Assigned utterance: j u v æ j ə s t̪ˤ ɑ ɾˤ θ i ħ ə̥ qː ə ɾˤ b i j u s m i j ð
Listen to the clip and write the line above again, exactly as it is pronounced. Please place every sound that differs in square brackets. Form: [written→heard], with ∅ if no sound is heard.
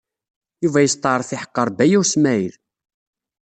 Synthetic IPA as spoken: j u v æ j ə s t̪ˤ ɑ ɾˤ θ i ħ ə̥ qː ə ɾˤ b [i→æ] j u s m [i→æ] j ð